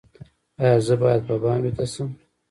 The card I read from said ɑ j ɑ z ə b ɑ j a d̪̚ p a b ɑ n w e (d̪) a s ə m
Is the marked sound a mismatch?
yes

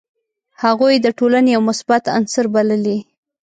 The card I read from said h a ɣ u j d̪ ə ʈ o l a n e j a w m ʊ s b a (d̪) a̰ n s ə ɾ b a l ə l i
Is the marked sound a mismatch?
yes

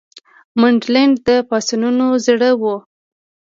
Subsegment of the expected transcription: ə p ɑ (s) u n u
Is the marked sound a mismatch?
no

